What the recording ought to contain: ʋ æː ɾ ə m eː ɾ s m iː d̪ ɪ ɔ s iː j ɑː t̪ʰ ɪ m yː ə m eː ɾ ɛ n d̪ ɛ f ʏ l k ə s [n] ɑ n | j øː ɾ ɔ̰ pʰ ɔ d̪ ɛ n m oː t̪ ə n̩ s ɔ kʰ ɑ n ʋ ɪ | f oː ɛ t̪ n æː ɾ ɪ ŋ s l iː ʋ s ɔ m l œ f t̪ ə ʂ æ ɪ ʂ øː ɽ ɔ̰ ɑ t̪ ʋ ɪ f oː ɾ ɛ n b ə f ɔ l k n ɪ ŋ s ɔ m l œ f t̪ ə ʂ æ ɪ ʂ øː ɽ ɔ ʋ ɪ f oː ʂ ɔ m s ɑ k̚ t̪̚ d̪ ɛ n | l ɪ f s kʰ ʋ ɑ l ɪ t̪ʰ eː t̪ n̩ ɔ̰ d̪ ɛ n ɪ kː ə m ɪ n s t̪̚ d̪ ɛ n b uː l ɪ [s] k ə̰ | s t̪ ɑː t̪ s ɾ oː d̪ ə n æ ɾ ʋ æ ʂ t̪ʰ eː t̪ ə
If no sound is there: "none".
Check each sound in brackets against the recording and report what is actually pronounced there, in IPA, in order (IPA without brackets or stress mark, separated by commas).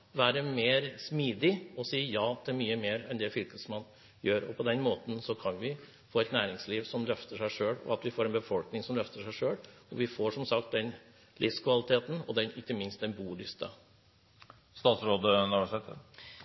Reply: m, s